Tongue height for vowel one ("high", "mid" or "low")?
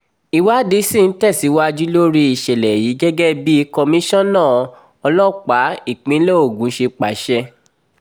high